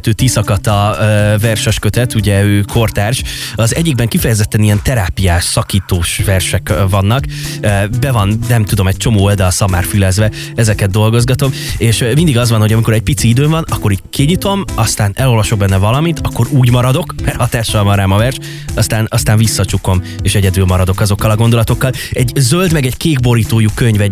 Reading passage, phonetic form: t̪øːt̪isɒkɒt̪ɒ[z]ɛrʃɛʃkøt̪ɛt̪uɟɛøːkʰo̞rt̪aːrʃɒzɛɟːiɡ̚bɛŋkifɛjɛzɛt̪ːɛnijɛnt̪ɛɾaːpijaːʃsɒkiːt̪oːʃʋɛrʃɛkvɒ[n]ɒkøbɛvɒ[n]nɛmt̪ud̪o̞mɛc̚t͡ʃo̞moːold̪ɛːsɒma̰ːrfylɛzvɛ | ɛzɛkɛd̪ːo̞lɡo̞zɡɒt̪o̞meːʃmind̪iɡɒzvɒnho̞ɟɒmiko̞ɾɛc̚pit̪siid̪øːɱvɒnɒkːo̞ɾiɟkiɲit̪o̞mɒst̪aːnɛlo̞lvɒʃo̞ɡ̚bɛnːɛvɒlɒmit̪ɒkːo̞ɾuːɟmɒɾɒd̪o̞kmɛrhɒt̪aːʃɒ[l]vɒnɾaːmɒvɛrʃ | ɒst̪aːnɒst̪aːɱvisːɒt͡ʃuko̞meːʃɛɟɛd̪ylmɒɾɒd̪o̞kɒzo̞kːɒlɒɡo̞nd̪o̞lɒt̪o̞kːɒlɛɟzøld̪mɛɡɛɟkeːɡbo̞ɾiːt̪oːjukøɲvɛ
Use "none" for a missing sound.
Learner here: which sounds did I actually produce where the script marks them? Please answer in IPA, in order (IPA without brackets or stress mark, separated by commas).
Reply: v, nː, n, l